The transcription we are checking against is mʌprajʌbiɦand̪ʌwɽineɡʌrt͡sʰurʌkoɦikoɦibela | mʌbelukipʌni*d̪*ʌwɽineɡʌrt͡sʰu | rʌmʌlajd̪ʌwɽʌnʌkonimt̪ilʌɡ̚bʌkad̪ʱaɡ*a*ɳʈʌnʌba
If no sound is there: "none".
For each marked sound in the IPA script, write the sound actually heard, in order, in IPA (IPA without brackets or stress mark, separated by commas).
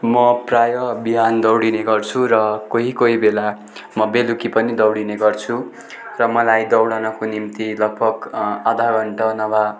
d̪, ʌ